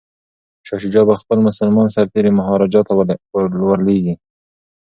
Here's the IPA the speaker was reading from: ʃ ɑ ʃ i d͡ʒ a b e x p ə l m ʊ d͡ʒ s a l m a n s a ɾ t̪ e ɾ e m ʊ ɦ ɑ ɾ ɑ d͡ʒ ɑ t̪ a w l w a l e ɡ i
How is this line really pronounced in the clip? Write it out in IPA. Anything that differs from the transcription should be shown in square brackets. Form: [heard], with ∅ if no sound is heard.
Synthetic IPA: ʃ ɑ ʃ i d͡ʒ [ɑ] b [a] x p ə l m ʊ [∅] s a l m [ɑ] n s a ɾ t̪ e ɾ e m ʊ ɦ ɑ ɾ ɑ d͡ʒ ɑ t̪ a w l w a l e ɡ i